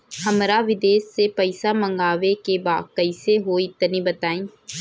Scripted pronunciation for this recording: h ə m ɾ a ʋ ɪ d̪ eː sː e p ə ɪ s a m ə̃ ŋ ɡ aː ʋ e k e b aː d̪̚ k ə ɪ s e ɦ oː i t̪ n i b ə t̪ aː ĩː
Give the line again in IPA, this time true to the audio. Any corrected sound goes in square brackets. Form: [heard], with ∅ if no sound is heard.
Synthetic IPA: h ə m ɾ a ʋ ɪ d̪ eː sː e p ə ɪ s a m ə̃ ŋ ɡ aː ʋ e k e b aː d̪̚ k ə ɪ s e ɦ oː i t̪ n i b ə t̪ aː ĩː